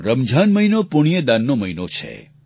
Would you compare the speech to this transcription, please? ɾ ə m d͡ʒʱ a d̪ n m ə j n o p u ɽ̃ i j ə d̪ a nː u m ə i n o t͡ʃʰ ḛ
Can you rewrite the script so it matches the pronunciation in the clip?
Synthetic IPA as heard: ɾ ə m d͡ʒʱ a n m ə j n o p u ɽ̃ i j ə d̪ a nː o m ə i n o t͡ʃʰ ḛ